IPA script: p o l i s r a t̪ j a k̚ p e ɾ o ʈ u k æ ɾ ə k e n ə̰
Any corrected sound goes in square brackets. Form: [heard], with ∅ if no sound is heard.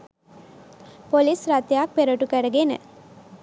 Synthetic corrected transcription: p o l i s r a t̪ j a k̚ p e ɾ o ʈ u k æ ɾ ə [ɡ] e n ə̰